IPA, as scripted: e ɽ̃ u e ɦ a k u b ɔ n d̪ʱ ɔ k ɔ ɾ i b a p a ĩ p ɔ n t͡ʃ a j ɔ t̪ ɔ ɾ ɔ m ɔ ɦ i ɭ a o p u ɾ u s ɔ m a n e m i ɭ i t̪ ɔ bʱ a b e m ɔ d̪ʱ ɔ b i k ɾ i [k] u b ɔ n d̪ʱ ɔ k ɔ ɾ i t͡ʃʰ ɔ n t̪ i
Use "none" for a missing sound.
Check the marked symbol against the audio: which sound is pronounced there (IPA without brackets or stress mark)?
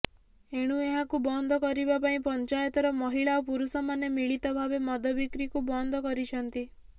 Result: k